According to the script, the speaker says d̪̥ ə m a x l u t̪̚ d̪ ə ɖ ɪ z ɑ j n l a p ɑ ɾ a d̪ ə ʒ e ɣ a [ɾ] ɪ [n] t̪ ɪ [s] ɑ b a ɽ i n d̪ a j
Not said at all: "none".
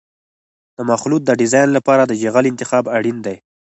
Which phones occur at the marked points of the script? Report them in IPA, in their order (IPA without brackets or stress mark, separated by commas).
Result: l, n, x